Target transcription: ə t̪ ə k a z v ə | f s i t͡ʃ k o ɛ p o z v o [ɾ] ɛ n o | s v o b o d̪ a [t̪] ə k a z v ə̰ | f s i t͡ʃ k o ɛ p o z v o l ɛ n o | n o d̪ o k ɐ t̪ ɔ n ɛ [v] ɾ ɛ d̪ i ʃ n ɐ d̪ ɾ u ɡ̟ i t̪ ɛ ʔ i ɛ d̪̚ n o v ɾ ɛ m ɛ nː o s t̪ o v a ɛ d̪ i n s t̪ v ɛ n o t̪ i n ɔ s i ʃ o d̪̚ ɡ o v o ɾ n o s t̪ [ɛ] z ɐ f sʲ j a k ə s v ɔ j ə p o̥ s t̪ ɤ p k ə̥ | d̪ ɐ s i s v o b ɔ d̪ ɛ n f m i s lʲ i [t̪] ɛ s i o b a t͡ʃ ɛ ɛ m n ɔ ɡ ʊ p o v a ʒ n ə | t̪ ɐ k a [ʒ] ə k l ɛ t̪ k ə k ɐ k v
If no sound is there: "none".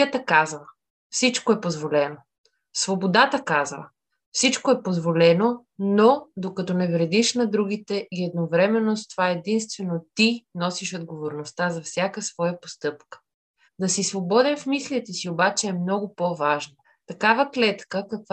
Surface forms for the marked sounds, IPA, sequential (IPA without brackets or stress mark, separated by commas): l, t̪, v, a, t̪, v